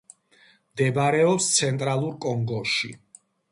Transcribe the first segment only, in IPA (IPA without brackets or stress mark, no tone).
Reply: m